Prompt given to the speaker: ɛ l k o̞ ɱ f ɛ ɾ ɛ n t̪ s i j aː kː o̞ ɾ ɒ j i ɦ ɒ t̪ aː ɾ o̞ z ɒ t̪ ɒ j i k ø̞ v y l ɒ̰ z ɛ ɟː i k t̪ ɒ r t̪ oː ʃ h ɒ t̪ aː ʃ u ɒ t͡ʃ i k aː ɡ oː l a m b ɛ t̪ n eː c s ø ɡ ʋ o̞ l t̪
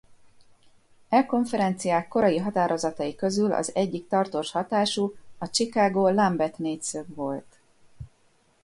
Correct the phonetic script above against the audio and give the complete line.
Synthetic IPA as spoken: ɛ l k o̞ ɱ f ɛ ɾ ɛ n t̪ s i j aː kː o̞ ɾ ɒ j i ɦ ɒ t̪ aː ɾ o̞ z ɒ t̪ ɒ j i k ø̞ z y l ɒ̰ z ɛ ɟː i k t̪ ɒ r t̪ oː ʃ h ɒ t̪ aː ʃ u ɒ t͡ʃ i k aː ɡ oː l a m b ɛ t̪ n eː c s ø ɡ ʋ o̞ l t̪